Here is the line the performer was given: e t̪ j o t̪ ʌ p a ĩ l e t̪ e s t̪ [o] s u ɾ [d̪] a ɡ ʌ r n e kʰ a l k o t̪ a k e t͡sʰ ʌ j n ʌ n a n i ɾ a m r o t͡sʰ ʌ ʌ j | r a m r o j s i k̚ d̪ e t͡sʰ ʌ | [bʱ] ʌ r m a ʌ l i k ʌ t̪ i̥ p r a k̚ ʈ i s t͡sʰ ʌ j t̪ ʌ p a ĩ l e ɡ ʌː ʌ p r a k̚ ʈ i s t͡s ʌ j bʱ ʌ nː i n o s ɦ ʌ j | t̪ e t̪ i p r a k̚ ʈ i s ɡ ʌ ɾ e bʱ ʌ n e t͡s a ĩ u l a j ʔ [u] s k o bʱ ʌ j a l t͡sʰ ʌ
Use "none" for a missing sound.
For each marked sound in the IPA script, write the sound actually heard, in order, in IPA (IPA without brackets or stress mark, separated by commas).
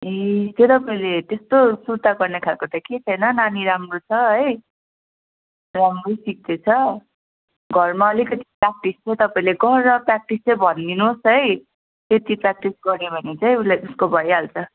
o, t̪, ɡʱ, u